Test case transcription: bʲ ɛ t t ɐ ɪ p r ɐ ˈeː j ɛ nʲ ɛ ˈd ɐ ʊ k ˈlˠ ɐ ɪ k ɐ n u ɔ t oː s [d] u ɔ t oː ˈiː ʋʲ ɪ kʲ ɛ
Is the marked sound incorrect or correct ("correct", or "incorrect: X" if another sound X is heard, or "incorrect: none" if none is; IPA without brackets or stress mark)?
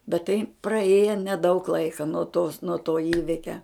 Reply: incorrect: n